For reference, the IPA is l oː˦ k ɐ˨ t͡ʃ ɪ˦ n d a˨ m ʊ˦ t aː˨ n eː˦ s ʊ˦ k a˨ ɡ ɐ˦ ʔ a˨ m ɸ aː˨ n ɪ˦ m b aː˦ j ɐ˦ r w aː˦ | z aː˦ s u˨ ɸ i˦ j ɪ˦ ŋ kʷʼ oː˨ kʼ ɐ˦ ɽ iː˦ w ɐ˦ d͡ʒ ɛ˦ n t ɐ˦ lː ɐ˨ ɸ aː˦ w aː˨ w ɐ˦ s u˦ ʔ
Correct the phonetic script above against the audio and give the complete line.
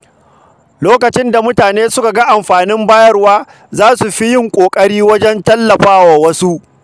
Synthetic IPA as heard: l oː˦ k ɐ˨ t͡ʃ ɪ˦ n d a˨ m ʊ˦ t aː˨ n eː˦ s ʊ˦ k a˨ ɡ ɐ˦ ʔ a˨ m ɸ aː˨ n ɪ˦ m b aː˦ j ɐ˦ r w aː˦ | z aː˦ s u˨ ɸ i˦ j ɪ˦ ŋ kʷʼ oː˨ kʼ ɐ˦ ɽ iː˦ w ɐ˦ d͡ʒ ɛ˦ n t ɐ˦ lː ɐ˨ ɸ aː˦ w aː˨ w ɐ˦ s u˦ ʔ